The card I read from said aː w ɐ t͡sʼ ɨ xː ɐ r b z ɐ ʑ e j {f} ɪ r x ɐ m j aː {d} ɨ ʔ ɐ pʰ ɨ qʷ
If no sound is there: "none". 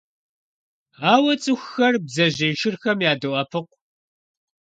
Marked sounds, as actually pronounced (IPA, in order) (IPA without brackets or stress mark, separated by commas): ʃ, d